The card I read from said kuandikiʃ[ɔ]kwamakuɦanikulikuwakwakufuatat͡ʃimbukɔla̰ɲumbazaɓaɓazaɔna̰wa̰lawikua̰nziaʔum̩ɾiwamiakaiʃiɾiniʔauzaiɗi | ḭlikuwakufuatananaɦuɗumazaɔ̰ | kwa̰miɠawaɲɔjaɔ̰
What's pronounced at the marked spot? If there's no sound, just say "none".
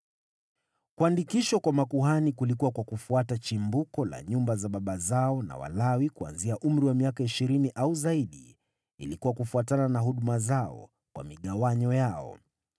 ɔ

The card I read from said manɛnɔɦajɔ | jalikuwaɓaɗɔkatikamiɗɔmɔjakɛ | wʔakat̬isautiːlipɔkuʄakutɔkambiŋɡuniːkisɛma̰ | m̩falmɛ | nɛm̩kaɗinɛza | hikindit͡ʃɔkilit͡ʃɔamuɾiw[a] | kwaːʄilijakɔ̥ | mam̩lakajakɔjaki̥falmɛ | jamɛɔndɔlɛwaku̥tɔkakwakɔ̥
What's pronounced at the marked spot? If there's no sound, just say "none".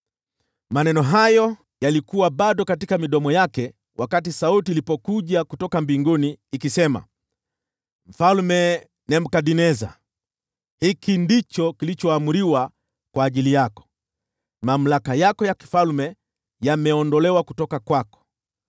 a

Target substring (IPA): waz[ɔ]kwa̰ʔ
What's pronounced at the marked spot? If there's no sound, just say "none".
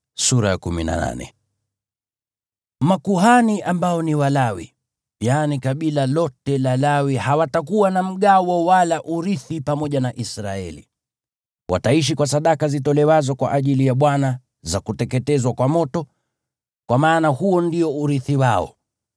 ɔ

